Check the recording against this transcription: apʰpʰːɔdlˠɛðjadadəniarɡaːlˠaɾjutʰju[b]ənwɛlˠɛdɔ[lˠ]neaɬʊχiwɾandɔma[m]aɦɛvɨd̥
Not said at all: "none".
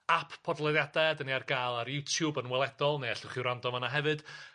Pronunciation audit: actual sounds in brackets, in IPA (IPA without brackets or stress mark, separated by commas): b, lˠ, n